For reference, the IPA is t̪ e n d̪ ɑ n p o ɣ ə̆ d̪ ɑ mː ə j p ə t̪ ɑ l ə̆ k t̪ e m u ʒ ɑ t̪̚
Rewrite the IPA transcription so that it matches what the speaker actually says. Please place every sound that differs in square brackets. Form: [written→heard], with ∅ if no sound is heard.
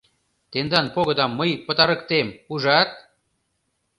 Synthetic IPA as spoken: t̪ e n d̪ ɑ n p o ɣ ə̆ d̪ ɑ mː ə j p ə t̪ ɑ [l→ɾ] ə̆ k t̪ e m u ʒ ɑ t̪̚